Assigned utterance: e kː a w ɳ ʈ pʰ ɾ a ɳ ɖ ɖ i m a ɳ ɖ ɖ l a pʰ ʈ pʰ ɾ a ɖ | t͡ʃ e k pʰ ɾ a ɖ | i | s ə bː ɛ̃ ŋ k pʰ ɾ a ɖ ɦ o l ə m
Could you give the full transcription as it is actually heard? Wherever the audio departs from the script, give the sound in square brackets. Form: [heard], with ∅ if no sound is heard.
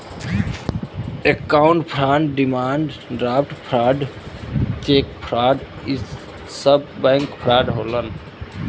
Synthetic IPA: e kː a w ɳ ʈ pʰ ɾ a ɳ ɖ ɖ i m a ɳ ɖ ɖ [ɾ] a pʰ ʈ pʰ ɾ a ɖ | t͡ʃ e k pʰ ɾ a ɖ | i | s ə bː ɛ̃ ŋ k pʰ ɾ a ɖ ɦ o l ə [n]